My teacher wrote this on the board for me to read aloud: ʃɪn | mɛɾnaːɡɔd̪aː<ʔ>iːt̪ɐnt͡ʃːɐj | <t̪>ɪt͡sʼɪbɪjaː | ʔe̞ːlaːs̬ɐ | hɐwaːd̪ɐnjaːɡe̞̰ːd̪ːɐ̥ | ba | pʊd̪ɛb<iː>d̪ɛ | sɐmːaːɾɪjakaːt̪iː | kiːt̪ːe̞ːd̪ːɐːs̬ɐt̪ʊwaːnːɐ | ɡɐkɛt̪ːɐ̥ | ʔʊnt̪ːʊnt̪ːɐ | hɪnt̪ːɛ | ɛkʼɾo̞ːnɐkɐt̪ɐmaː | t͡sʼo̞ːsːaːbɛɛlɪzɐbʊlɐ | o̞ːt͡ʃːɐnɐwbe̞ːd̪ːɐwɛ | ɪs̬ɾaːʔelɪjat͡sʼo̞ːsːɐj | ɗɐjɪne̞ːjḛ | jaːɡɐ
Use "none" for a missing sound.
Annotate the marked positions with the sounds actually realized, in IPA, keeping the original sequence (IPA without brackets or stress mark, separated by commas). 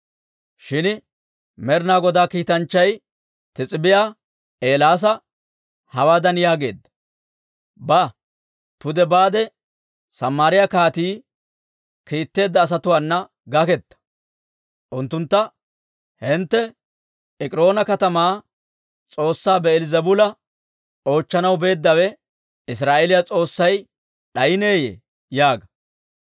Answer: k, t̪, aː